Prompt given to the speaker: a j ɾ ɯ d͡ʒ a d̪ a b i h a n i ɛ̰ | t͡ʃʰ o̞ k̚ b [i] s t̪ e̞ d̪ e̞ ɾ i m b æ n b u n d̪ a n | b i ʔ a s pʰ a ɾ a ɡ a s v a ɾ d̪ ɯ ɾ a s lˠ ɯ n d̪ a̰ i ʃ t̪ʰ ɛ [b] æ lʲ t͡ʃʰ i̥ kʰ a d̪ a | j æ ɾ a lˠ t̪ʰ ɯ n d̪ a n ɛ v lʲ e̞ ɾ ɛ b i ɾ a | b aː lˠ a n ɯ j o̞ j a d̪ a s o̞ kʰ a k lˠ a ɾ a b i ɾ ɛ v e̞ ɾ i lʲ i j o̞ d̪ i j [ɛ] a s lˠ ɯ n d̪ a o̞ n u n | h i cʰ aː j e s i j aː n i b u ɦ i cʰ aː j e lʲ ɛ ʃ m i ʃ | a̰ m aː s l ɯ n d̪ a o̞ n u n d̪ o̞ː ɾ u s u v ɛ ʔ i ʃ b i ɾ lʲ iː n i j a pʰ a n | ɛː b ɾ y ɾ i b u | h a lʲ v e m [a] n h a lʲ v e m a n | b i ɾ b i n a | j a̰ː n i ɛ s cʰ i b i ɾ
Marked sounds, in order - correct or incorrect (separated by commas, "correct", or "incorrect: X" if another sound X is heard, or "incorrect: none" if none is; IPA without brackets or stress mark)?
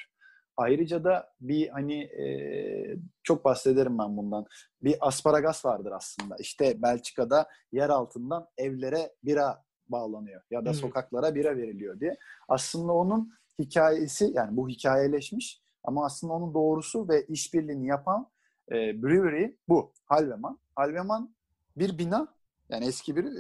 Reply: incorrect: a, correct, correct, correct